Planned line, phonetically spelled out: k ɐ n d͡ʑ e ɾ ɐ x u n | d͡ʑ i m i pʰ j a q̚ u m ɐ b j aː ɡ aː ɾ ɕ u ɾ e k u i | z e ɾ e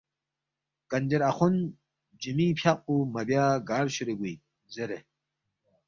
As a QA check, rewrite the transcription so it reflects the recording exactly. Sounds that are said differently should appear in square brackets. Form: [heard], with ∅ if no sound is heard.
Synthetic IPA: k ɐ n d͡ʑ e ɾ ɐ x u n | d͡ʑ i m i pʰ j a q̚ u m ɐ b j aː ɡ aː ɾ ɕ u ɾ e [ɡ] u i | z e ɾ e